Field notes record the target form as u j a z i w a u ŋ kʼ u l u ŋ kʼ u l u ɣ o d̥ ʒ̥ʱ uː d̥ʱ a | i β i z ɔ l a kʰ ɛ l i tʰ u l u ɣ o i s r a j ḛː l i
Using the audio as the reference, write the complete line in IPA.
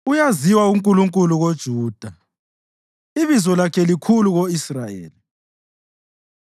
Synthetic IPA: u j a z i w a u ŋ kʼ u l u ŋ kʼ u l u ɣ o d̥ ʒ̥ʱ uː d̥ʱ a | i β i z ɔ l a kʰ ɛ l i kʰ u l u ɣ o i s r a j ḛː l i